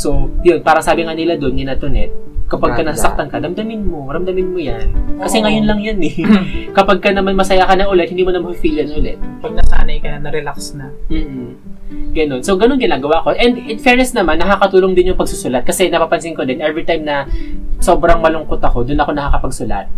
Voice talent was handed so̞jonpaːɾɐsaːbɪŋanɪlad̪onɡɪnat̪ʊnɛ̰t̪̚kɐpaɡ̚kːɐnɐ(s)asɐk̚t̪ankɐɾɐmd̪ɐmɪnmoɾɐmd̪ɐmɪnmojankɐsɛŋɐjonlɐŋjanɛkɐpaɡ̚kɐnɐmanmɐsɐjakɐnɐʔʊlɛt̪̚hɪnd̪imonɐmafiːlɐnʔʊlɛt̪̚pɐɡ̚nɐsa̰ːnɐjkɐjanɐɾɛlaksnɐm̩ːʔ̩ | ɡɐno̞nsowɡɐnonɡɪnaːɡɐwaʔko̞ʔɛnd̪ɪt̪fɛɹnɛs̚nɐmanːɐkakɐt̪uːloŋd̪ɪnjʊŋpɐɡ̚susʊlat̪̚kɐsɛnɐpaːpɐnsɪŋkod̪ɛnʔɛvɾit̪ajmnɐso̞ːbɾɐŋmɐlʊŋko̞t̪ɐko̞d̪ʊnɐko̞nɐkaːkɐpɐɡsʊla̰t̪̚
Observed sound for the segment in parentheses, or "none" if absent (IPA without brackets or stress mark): s